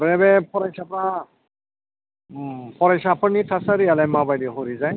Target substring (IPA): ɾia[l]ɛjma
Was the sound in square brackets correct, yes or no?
yes